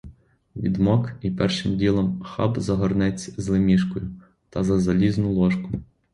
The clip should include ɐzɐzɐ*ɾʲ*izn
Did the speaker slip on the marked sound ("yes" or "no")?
yes